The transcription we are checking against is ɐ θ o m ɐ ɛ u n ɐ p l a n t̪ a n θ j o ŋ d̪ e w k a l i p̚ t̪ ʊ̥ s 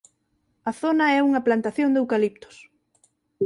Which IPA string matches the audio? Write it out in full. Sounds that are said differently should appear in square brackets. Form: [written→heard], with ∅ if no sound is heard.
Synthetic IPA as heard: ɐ θ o [m→n] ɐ ɛ u [n→ŋ] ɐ p l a n t̪ a [n→∅] θ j o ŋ d̪ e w k a l i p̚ t̪ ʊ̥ s